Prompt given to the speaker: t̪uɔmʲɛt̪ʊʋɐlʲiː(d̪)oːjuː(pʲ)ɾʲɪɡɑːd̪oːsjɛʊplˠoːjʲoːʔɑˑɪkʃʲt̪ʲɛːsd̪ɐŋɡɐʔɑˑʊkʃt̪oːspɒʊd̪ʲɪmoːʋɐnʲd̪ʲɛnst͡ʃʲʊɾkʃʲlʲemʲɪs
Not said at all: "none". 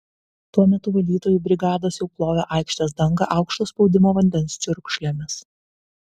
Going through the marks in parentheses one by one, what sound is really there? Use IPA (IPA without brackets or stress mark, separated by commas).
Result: t̪, bʲ